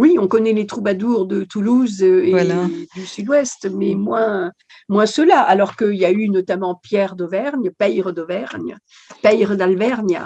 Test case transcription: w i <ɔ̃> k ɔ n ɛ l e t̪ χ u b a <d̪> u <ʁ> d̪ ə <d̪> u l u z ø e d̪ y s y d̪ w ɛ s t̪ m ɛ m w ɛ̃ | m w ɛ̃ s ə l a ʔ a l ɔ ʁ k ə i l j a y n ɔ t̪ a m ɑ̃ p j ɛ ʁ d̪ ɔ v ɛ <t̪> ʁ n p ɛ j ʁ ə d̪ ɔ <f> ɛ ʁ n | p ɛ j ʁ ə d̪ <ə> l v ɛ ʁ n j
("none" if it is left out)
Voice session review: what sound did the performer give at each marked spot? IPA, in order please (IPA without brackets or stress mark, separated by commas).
ɔ̃, d̪, ʁ, t̪, none, v, a